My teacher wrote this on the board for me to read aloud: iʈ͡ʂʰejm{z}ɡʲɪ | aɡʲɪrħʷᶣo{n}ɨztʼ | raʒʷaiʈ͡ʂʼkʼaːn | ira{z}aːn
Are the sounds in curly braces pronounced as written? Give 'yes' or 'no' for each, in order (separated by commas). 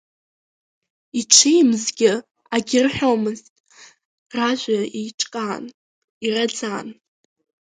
yes, no, no